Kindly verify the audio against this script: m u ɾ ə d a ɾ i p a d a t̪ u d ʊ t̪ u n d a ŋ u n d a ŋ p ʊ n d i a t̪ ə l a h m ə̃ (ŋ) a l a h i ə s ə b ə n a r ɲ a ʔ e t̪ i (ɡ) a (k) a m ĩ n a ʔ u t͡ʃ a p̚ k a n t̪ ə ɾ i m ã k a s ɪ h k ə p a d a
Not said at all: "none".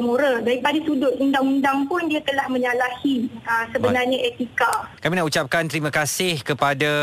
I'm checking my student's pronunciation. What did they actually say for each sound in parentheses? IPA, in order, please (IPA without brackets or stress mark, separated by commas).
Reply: ɲ, k, k